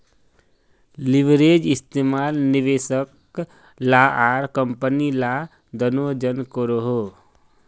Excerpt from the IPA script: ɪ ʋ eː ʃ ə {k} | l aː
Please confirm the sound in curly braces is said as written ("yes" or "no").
yes